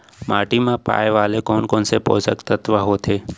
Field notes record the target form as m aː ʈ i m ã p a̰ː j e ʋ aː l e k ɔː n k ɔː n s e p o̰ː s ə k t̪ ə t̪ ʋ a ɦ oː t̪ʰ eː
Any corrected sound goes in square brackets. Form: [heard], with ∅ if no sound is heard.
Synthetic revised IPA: m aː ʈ i m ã p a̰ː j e ʋ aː l e k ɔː n k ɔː n s e p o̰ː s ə k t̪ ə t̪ ʋ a ɦ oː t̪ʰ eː